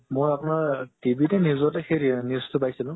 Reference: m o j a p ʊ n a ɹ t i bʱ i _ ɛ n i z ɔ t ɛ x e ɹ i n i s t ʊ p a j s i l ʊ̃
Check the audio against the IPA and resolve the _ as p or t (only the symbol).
t